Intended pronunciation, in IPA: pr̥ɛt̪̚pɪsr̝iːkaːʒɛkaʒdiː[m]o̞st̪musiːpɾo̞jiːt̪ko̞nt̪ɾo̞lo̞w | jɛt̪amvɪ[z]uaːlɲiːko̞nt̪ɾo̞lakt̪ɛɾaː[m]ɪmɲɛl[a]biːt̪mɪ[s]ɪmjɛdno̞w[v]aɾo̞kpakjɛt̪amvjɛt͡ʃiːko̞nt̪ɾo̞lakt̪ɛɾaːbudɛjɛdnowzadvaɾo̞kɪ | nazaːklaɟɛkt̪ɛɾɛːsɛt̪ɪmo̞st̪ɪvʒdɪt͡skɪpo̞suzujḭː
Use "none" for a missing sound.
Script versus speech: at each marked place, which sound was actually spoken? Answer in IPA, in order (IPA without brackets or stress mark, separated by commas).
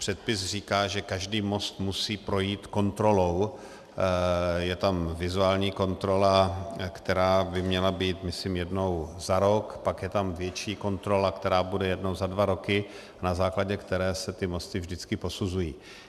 m, z, b, a, s, z